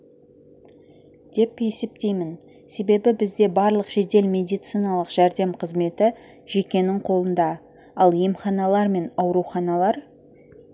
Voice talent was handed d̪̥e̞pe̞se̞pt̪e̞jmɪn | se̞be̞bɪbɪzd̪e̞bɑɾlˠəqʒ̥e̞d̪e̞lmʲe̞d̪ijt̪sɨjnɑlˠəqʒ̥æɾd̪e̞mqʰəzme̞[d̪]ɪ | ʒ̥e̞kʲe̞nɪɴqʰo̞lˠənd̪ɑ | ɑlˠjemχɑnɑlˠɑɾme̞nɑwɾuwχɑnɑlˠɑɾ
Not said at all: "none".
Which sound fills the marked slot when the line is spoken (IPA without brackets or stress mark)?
t̪